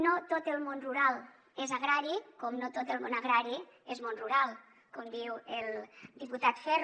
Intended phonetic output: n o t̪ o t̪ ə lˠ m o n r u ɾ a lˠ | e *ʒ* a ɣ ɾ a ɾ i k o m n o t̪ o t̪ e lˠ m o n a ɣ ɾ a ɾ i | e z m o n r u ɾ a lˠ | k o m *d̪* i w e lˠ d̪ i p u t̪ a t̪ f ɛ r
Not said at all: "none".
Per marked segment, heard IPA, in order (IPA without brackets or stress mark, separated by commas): z, d̪